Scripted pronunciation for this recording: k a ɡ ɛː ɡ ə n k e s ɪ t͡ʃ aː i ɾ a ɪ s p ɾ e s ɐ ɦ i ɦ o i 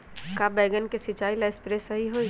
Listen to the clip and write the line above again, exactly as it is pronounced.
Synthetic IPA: k a b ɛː ɡ ə n k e s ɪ t͡ʃ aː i l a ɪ s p ɾ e s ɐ ɦ i ɦ o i